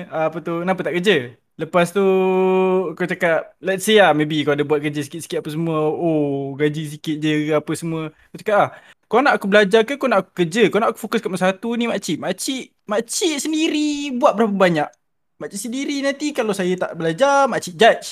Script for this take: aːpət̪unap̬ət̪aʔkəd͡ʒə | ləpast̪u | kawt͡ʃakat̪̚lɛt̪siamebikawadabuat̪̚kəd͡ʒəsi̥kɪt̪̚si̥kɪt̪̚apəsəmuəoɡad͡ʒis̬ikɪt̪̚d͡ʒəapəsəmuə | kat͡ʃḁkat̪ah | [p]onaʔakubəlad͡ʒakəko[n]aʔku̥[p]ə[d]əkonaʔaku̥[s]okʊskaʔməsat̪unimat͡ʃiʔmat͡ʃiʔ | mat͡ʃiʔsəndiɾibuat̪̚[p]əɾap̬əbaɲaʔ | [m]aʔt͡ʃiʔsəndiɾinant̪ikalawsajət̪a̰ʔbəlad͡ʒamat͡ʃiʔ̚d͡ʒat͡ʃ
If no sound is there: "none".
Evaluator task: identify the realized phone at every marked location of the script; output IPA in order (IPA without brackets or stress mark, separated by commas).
k, n, k, d͡ʒ, f, b, m